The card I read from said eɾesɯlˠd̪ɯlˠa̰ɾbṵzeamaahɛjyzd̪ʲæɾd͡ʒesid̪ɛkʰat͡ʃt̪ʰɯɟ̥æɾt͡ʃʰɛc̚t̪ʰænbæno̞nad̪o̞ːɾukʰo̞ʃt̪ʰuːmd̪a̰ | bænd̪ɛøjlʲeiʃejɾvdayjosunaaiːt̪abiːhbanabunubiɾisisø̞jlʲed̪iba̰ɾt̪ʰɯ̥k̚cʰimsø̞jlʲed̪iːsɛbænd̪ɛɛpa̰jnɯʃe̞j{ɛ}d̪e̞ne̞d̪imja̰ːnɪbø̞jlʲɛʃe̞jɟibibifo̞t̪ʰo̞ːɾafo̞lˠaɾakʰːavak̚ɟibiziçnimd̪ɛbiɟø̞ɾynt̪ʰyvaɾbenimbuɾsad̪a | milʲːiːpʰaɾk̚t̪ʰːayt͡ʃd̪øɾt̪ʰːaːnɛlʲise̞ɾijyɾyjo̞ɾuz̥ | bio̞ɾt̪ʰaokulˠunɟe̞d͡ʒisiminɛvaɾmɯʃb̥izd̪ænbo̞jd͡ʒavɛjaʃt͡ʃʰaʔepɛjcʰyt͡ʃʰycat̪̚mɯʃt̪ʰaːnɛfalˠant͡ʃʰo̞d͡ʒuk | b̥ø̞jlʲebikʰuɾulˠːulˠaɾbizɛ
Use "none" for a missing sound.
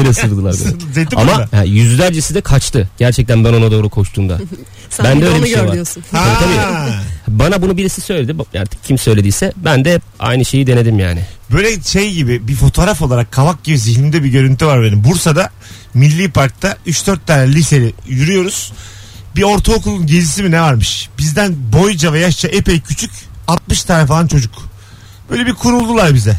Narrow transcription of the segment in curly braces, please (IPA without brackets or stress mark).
i